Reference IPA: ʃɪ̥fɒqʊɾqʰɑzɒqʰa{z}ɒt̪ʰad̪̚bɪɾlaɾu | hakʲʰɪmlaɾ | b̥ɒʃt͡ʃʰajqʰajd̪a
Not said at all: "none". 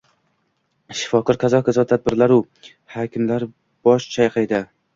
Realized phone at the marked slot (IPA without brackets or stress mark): z